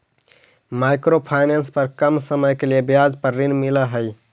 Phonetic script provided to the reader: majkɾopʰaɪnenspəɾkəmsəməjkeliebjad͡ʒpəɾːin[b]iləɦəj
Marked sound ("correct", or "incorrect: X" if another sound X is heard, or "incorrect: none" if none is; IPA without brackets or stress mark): incorrect: m